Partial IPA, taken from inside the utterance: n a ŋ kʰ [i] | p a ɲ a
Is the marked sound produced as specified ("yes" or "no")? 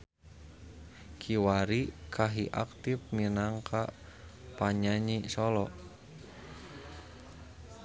no